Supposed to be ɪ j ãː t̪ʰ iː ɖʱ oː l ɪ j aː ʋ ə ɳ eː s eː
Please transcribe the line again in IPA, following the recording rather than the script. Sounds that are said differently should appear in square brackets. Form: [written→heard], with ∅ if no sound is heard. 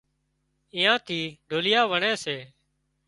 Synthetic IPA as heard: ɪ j ãː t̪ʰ iː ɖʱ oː l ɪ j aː ʋ ə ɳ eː s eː